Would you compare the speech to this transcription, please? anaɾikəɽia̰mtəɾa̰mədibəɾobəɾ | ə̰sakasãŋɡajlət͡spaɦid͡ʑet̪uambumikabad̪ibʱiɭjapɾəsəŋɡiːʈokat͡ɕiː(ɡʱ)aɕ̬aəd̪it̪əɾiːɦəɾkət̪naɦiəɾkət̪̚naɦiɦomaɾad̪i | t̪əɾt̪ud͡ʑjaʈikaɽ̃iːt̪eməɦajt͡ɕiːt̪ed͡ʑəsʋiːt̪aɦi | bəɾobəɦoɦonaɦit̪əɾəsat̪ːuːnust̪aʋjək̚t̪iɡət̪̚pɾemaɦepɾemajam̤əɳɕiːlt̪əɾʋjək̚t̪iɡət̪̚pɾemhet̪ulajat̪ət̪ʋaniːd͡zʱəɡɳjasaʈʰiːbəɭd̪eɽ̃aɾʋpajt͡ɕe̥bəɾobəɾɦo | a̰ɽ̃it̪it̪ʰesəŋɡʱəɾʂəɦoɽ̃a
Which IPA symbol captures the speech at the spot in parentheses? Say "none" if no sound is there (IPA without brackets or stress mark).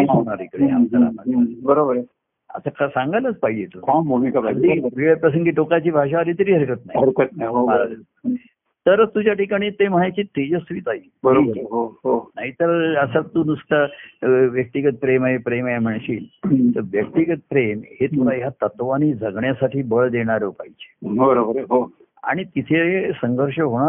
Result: bʱ